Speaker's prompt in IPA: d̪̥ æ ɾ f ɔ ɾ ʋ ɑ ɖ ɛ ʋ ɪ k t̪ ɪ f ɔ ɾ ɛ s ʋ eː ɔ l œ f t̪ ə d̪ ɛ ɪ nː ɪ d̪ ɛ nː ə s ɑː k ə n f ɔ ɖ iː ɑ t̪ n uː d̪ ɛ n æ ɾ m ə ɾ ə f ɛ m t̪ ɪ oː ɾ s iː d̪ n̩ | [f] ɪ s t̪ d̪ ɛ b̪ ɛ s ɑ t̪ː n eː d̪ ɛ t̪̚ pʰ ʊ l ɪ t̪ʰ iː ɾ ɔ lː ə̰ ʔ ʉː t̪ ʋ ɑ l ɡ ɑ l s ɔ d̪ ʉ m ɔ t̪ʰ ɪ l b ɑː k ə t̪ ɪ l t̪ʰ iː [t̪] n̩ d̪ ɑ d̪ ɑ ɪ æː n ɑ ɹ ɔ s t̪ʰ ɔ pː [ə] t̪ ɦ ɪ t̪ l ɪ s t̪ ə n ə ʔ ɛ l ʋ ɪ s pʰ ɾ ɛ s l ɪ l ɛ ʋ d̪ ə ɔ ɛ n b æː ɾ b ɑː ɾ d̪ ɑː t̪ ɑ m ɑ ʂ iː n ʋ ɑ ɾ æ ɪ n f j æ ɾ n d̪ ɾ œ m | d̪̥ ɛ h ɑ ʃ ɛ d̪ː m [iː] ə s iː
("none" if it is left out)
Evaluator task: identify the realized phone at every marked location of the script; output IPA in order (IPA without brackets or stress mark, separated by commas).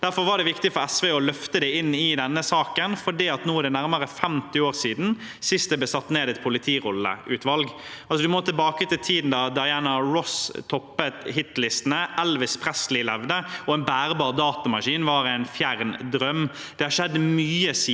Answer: s, d̪, ə, yː